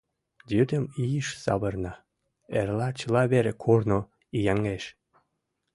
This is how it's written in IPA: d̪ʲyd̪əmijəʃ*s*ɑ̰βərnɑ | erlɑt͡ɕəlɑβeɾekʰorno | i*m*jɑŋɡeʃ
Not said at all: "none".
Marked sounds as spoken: s, none

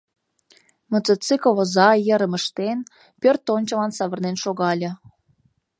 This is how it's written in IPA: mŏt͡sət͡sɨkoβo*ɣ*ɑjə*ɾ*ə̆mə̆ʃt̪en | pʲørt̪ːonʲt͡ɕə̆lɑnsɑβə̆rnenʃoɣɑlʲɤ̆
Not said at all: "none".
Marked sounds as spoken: z, ɾ

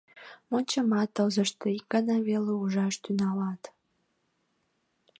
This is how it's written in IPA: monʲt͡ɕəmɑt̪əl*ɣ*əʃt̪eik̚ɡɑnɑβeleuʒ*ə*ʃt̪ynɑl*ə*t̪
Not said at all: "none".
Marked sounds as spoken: z, ɑ, ɑ

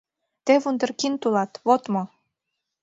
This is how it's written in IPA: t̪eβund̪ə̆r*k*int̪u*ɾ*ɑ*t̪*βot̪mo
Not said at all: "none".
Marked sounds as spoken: k, l, t̪

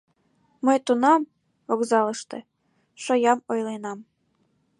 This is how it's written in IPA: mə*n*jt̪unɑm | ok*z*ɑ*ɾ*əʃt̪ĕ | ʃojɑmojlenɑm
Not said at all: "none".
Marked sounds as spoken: none, z, l

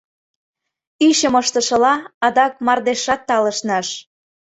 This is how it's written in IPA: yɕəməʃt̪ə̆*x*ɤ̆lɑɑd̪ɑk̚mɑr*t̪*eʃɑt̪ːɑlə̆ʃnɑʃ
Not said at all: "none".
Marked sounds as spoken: ʃ, d̪

